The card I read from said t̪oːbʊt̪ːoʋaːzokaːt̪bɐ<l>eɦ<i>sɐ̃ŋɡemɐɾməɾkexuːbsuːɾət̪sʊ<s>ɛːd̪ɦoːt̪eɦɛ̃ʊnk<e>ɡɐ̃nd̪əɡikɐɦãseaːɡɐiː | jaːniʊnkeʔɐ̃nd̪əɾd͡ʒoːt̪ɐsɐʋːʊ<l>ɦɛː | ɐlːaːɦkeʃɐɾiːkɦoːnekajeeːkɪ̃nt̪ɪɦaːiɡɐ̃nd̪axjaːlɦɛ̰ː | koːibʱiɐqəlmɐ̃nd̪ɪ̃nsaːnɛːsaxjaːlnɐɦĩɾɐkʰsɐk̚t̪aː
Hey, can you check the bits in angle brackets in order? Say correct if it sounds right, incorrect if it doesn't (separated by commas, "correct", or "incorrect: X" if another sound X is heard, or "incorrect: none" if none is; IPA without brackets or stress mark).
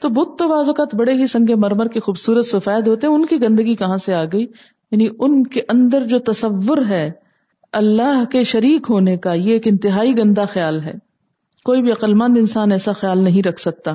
incorrect: ɽ, correct, incorrect: f, incorrect: i, incorrect: ɾ